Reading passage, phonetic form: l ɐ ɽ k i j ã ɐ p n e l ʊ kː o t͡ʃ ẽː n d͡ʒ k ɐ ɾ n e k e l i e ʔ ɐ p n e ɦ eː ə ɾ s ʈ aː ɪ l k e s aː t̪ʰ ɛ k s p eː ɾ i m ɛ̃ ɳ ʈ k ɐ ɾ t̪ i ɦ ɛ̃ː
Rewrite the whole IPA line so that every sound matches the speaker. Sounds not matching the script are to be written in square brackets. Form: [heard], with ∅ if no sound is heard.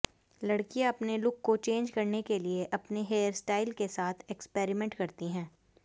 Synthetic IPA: l ɐ ɽ k i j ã ɐ p n e l ʊ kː o t͡ʃ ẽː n d͡ʒ k ɐ ɾ n e k e l i e ʔ ɐ p n e ɦ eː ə ɾ s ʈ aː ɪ l k e s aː t̪ʰ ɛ k s p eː ɾ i m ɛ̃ ɳ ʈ k ɐ ɾ t̪ i ɦ ɛ̃ː